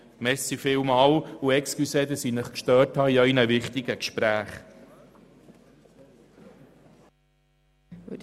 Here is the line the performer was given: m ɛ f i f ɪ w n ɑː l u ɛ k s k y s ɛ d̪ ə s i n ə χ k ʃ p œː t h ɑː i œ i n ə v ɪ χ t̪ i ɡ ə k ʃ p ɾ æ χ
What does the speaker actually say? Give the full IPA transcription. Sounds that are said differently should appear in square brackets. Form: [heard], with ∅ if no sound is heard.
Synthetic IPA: m ɛ [s] i f ɪ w [m] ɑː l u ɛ k s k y s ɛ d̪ ə s i n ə χ k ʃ [t] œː t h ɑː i œ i n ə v ɪ χ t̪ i ɡ ə k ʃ p ɾ [æː] χ